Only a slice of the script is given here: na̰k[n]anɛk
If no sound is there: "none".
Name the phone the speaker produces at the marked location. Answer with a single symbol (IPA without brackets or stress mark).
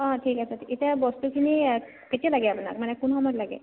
m